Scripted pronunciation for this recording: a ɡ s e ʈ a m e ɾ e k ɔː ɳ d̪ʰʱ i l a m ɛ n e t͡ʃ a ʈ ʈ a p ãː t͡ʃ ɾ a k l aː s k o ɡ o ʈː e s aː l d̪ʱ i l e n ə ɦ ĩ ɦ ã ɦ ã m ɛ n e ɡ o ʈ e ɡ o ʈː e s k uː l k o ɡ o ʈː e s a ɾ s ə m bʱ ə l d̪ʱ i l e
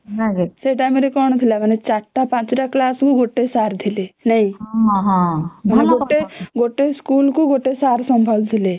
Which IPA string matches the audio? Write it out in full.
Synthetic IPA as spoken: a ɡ s e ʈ a m e ɾ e k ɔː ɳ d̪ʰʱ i l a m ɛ n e t͡ʃ a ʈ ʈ a p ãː t͡ʃ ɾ a k l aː s k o ɡ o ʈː e s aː ɾ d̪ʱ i l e n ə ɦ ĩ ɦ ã ɦ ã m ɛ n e ɡ o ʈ e ɡ o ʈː e s k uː l k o ɡ o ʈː e s a ɾ s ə m bʱ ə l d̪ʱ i l e

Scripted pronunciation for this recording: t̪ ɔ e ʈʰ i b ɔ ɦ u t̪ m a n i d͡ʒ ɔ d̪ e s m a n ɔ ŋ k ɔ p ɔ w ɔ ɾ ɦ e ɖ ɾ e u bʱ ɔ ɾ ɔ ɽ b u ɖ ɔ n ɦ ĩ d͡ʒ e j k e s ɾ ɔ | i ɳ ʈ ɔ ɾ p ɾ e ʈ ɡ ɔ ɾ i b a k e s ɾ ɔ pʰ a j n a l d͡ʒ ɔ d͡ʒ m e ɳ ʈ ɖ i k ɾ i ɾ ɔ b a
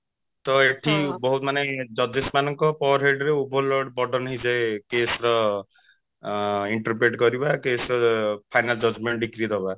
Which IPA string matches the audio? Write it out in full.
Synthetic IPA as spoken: t̪ ɔ e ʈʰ i b ɔ ɦ u t̪ m a n e d͡ʒ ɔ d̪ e s m a n ɔ ŋ k ɔ p ɔ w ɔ ɾ ɦ e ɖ ɾ e u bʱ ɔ l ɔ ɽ b ɔ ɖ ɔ n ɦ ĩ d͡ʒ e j k e s ɾ ɔ | i ɳ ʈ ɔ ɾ p ɾ e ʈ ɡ ɔ ɾ i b a k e s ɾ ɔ pʰ a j n a l d͡ʒ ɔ d͡ʒ m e ɳ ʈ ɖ i k ɾ i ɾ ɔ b a

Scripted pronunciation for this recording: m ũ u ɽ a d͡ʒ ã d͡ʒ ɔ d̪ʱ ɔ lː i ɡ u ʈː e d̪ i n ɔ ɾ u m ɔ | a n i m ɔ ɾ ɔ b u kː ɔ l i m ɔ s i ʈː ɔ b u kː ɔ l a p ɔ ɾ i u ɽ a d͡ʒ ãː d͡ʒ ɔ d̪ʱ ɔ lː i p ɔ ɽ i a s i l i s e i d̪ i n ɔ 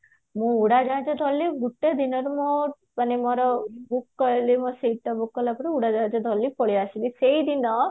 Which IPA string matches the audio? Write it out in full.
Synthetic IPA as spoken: m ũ u ɽ a d͡ʒ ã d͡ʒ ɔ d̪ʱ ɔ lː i ɡ u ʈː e d̪ i n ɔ ɾ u m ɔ | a n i m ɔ ɾ ɔ b u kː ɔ l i m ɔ s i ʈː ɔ b u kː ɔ l a p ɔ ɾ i u ɽ a d͡ʒ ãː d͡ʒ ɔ d̪ʱ ɔ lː i p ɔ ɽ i a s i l i s e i d̪ i n ɔ

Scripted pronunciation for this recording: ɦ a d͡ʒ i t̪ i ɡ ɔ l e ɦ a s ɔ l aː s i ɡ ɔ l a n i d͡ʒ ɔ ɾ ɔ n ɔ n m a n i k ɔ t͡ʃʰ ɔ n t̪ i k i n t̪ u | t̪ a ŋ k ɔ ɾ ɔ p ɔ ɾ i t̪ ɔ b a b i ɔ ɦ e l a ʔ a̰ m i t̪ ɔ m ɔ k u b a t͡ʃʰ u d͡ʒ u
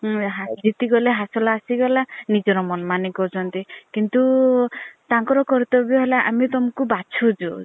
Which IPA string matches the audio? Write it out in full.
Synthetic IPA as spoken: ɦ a d͡ʒ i t̪ i ɡ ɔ l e ɦ a s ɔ l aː s i ɡ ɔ l a n i d͡ʒ ɔ ɾ ɔ m ɔ n m a n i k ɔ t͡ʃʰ ɔ n t̪ i k i n t̪ u | t̪ a ŋ k ɔ ɾ ɔ k ɔ ɾ i t̪ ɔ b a b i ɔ ɦ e l a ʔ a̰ m i t̪ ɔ m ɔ k u b a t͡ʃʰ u d͡ʒ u

